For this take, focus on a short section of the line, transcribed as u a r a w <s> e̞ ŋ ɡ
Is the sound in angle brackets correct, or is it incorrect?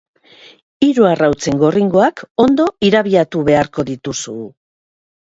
incorrect